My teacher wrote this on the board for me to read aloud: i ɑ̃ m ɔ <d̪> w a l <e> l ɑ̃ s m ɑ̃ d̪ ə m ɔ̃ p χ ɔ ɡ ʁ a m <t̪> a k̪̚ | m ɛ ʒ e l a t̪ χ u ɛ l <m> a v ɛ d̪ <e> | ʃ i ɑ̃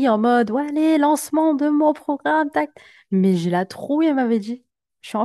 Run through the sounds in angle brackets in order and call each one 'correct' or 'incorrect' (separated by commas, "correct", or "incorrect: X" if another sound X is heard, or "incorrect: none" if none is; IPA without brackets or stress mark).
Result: correct, correct, correct, correct, incorrect: i